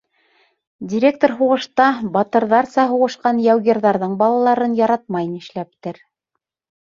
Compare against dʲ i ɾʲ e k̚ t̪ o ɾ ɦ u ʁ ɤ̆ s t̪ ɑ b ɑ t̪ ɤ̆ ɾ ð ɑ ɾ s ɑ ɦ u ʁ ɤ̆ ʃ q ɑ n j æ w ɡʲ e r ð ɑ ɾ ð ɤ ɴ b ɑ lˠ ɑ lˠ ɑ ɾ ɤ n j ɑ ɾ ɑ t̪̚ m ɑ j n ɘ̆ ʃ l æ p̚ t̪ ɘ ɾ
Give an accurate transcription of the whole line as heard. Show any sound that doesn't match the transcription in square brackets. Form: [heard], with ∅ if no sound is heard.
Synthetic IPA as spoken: dʲ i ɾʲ e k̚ t̪ o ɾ ɦ u ʁ ɤ̆ [ʃ] t̪ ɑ b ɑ t̪ ɤ̆ ɾ ð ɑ ɾ s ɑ ɦ u ʁ ɤ̆ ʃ q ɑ n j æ w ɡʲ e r ð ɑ ɾ ð ɤ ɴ b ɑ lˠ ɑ lˠ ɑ ɾ ɤ n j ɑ ɾ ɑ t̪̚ m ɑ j n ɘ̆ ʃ l æ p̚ t̪ ɘ ɾ